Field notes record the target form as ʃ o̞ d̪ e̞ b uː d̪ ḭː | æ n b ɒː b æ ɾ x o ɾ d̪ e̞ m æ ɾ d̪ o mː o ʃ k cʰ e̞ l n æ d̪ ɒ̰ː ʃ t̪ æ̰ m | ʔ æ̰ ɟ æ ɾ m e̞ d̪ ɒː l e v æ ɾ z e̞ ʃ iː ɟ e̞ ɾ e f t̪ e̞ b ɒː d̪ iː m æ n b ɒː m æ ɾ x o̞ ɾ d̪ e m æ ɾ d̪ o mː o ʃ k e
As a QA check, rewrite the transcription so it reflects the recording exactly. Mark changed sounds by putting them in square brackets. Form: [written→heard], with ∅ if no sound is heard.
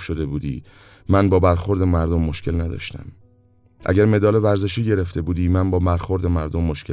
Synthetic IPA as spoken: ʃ o̞ d̪ e̞ b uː d̪ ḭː | æ n b ɒː b æ ɾ x o ɾ d̪ e̞ m æ ɾ d̪ o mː o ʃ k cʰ e̞ l n æ d̪ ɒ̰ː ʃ t̪ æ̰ m | ʔ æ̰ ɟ æ ɾ m e̞ d̪ ɒː l e v æ ɾ z e̞ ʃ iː ɟ e̞ ɾ e f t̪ e̞ b [ɒː→uː] d̪ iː m æ n b ɒː m æ ɾ x o̞ ɾ d̪ e m æ ɾ d̪ o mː o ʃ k e